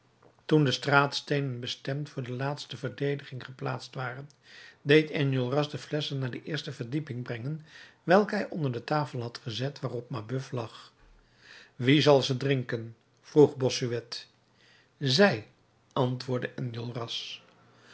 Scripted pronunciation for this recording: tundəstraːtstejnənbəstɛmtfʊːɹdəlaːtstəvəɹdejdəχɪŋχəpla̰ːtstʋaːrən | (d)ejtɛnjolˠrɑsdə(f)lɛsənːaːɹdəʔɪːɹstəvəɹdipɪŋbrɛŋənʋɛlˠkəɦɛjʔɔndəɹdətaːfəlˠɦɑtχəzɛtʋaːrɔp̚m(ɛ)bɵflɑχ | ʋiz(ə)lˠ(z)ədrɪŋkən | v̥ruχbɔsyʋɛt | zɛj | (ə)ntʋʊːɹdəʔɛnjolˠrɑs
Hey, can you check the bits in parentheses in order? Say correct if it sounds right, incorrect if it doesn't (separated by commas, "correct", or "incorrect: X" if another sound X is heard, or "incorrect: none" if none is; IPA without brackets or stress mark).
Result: correct, correct, incorrect: a, incorrect: ɑ, correct, incorrect: ɑ